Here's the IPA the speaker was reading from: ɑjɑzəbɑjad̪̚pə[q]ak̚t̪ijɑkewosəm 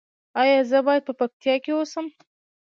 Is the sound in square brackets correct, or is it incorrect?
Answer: incorrect